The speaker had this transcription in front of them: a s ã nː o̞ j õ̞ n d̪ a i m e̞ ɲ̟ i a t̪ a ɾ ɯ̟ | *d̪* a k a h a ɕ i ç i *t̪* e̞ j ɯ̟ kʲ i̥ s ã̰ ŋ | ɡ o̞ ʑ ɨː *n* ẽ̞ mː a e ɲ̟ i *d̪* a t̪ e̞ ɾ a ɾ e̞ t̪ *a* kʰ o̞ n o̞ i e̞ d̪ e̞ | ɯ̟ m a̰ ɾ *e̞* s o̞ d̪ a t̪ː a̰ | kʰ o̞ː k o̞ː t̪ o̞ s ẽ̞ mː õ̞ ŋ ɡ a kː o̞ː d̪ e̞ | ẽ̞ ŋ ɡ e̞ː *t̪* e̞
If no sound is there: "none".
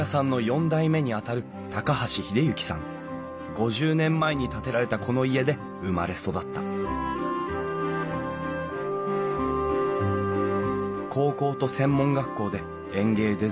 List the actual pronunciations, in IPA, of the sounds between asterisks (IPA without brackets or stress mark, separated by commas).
t̪, d̪, n, t̪, a, e̞, d̪